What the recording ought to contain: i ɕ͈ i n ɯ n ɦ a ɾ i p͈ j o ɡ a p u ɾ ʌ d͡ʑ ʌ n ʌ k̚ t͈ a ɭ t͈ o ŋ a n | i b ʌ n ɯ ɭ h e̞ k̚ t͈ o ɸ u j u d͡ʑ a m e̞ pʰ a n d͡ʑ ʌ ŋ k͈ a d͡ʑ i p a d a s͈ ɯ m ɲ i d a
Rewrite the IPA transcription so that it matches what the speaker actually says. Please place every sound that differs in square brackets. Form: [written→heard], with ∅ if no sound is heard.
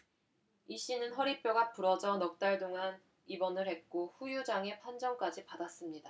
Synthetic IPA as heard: i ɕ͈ i n ɯ n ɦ [a→ʌ] ɾ i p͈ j o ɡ a p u ɾ ʌ d͡ʑ ʌ n ʌ k̚ t͈ a ɭ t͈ o ŋ a n | i b ʌ n ɯ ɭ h e̞ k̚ [t͈→k͈] o ɸ u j u d͡ʑ a [m→ŋ] e̞ pʰ a n d͡ʑ ʌ ŋ k͈ a d͡ʑ i p a d a s͈ ɯ m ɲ i d a

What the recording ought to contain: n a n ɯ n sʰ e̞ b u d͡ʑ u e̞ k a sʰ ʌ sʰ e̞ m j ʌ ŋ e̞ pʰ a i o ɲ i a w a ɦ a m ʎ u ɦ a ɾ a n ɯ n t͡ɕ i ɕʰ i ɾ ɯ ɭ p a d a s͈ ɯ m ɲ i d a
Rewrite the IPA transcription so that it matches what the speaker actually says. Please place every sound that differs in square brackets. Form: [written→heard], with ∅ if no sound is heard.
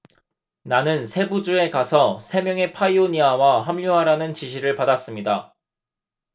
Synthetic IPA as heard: n a n ɯ n sʰ e̞ b u d͡ʑ u e̞ k a sʰ ʌ sʰ e̞ m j ʌ ŋ e̞ pʰ a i o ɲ i a w a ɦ a m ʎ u ɦ a ɾ a n ɯ n t͡ɕ i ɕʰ i ɾ ɯ ɭ p a d a s͈ ɯ m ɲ i d a

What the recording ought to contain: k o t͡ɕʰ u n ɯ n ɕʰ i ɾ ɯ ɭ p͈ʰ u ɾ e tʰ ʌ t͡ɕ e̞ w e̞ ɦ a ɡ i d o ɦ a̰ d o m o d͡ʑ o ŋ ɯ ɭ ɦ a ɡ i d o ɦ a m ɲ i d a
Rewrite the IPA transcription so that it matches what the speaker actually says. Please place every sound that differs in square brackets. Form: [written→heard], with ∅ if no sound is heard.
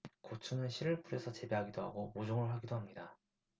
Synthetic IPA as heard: k o t͡ɕʰ u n ɯ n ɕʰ i ɾ ɯ ɭ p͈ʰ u ɾ e [tʰ→sʰ] ʌ t͡ɕ e̞ [w→b] e̞ ɦ a ɡ i d o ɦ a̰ [d→ɡ] o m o d͡ʑ o ŋ ɯ ɭ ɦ a ɡ i d o ɦ a m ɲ i d a

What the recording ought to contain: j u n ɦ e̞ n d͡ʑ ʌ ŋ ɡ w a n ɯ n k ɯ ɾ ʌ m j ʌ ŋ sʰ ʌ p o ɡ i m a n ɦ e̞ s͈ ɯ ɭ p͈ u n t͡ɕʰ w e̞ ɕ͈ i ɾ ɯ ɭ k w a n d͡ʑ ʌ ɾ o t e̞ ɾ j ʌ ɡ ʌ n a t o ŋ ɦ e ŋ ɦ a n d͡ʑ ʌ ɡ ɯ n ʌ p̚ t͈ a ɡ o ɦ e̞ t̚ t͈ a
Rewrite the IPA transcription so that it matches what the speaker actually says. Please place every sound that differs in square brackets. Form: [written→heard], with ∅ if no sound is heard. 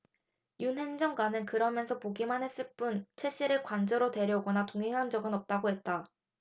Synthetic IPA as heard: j u n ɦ e̞ n d͡ʑ ʌ ŋ ɡ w a n ɯ n k ɯ ɾ ʌ m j ʌ [ŋ→n] sʰ ʌ p o ɡ i m a n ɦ e̞ s͈ ɯ ɭ p͈ u n t͡ɕʰ w e̞ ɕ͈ i ɾ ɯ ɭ k w a n d͡ʑ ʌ ɾ o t e̞ ɾ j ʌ ɡ ʌ n a t o ŋ ɦ e ŋ ɦ a n d͡ʑ ʌ ɡ ɯ n ʌ p̚ t͈ a ɡ o ɦ e̞ t̚ t͈ a

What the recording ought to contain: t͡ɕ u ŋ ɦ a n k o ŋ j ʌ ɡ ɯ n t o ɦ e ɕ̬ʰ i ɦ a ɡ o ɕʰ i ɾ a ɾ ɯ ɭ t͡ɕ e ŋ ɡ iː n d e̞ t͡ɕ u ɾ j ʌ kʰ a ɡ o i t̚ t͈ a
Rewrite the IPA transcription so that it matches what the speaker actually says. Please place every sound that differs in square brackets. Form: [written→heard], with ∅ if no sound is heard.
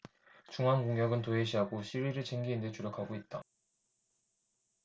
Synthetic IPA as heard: t͡ɕ u ŋ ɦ a n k o ŋ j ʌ ɡ ɯ n t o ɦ e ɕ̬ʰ i ɦ a ɡ o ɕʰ i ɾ [a→i] ɾ ɯ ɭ t͡ɕ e ŋ ɡ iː n d e̞ t͡ɕ u ɾ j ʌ kʰ a ɡ o i t̚ t͈ a

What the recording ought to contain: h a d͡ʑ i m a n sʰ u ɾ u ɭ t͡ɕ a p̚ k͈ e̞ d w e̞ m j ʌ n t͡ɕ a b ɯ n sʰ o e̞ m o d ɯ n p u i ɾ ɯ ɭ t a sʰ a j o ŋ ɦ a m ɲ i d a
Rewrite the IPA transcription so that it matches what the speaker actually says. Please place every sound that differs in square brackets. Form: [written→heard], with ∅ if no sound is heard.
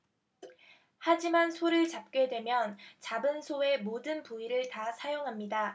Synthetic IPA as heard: h a d͡ʑ i m a n sʰ [u→o] ɾ [u→ɯ] ɭ t͡ɕ a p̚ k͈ e̞ d w e̞ m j ʌ n t͡ɕ a b ɯ n sʰ o e̞ m o d ɯ n p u i ɾ ɯ ɭ t a sʰ a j o ŋ ɦ a m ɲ i d a

